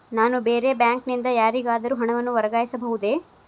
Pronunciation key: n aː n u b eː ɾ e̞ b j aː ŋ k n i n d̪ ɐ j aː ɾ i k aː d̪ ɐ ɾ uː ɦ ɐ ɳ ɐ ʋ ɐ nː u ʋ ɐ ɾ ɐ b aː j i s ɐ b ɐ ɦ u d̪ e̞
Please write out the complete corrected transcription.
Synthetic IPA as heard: n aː n u b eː ɾ e̞ b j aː ŋ k n i n d̪ ɐ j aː ɾ i ɡ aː d̪ ɐ ɾ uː ɦ ɐ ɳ ɐ ʋ ɐ nː u ʋ ɐ ɾ ɐ ɡ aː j i s ɐ b ɐ ɦ u d̪ e̞